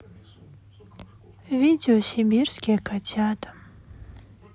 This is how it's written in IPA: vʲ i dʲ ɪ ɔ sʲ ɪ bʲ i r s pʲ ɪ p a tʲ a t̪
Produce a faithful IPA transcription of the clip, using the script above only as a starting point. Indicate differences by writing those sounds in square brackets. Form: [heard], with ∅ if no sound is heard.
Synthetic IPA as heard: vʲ i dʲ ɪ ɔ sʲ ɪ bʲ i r s [kʲ] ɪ [k] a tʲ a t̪

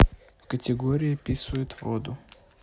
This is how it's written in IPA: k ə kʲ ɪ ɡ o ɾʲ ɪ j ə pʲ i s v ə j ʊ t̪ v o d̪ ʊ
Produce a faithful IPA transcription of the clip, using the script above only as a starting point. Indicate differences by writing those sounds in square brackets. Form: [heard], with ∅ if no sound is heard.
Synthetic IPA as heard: k ə [tʲ] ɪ ɡ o ɾʲ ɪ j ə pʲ i s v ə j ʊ t̪ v o d̪ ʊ

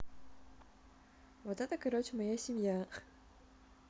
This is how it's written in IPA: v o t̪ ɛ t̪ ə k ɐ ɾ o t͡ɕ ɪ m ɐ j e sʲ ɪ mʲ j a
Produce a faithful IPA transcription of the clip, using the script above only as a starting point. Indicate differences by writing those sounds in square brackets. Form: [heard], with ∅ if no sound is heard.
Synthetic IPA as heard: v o t̪ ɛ t̪ ə k ɐ ɾ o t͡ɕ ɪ m ɐ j [a] sʲ ɪ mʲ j a

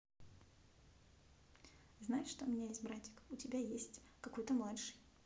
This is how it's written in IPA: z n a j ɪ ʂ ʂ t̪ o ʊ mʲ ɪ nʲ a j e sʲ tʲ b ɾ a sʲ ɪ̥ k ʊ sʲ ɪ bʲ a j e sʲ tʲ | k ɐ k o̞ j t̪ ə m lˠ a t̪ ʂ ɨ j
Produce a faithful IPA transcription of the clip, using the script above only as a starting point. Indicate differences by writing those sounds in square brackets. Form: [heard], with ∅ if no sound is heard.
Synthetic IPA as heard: z n a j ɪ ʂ ʂ t̪ o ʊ mʲ ɪ nʲ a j e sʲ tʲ b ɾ a [tʲ] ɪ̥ k ʊ [tʲ] ɪ bʲ a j e sʲ tʲ | k ɐ k o̞ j t̪ ə m lˠ a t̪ ʂ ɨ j

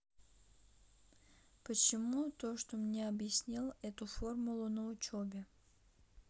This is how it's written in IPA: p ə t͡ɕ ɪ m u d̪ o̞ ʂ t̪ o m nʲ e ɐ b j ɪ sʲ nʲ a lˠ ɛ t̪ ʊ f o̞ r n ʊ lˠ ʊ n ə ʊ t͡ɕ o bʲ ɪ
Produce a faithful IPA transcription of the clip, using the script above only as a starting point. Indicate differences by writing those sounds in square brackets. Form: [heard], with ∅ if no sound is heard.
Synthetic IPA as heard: p ə t͡ɕ ɪ m u [t̪] o̞ ʂ t̪ o m nʲ e ɐ b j ɪ sʲ nʲ [i] lˠ ɛ t̪ ʊ f o̞ r [m] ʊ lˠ ʊ n ə ʊ t͡ɕ o bʲ ɪ

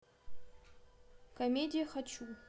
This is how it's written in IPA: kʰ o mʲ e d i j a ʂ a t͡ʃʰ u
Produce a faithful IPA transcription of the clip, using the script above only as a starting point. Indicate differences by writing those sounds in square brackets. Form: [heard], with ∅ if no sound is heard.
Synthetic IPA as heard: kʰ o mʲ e d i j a [χ] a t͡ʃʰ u

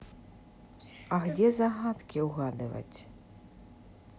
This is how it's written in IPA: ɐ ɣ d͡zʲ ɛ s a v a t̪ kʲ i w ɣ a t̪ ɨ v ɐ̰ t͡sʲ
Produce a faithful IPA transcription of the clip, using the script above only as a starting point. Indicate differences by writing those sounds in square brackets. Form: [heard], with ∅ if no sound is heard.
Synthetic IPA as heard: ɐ ɣ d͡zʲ ɛ [z] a [ɣ] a t̪ kʲ i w ɣ a [d̪] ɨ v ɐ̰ t͡sʲ

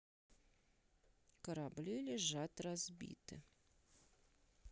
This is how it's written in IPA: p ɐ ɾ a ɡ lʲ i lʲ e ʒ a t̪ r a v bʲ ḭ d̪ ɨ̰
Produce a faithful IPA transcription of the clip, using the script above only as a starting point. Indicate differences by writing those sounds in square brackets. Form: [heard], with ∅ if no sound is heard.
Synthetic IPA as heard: [k] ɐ ɾ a [b] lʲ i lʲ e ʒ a t̪ r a [z] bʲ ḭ [t̪] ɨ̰

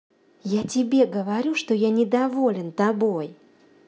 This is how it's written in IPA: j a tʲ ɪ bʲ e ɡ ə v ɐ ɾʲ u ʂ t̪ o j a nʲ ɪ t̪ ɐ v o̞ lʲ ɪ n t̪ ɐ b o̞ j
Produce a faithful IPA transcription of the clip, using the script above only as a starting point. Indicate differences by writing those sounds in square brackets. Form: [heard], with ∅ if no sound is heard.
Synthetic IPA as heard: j a tʲ ɪ bʲ e ɡ ə v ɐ ɾʲ u ʂ t̪ o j a nʲ ɪ [d̪] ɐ v o̞ lʲ ɪ n t̪ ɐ b o̞ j

